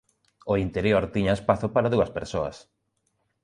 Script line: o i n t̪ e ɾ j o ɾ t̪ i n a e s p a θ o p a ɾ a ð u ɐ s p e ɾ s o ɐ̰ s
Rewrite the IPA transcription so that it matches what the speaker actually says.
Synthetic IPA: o i n t̪ e ɾ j o ɾ t̪ i ɲ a e s p a θ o p a ɾ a ð u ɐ s p e ɾ s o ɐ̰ s